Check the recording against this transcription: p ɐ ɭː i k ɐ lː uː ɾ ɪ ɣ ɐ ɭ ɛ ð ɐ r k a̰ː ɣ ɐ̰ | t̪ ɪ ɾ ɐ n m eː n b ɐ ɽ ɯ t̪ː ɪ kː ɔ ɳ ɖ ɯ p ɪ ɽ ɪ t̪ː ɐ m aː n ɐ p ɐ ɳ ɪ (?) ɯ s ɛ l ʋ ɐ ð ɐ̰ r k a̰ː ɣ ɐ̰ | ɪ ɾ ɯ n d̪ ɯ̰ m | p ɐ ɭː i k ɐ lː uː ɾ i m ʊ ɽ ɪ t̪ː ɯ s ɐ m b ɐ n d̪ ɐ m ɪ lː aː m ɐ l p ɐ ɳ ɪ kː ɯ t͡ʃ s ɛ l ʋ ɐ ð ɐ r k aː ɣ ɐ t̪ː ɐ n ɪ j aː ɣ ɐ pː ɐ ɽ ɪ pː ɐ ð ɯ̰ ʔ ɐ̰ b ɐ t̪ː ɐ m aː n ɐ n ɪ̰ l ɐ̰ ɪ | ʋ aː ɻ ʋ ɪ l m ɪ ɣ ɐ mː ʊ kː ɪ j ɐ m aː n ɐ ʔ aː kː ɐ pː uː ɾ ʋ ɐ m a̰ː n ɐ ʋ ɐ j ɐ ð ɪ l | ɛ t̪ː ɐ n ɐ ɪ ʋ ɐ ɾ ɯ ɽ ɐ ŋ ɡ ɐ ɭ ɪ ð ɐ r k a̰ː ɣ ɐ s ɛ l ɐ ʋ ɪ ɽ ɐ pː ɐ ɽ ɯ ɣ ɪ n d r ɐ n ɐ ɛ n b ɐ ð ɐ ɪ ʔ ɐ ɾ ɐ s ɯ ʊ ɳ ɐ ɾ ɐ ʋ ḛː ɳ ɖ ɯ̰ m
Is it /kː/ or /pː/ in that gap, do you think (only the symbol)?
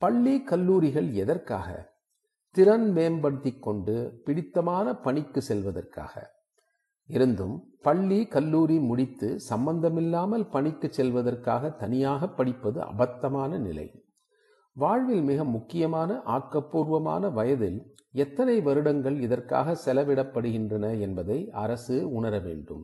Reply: kː